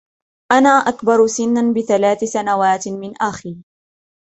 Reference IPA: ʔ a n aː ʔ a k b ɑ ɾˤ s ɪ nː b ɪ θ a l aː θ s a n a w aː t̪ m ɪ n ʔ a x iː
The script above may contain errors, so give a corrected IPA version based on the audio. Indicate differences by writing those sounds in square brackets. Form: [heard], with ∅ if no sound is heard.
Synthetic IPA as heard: ʔ a n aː ʔ a k b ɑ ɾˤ s ɪ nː b ɪ θ a l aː θ s a n a w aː t̪ m ɪ n ʔ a x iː